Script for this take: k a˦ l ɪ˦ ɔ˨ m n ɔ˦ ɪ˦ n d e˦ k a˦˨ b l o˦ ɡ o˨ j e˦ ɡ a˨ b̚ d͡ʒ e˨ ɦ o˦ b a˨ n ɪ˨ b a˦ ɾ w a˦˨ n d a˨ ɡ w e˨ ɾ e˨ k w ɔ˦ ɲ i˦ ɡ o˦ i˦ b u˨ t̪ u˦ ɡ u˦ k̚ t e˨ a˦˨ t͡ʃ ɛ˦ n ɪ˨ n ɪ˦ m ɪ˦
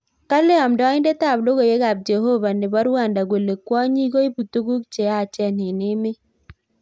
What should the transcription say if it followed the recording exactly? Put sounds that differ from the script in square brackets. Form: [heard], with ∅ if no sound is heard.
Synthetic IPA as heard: k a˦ l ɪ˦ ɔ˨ m [d] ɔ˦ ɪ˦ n d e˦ [t] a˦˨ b l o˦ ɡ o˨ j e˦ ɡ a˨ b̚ d͡ʒ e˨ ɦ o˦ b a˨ n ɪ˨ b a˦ ɾ w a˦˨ n d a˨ ɡ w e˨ [l] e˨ k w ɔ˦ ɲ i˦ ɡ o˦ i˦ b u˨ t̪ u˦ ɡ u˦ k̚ [t͡ʃ] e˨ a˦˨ t͡ʃ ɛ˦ n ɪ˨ n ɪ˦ m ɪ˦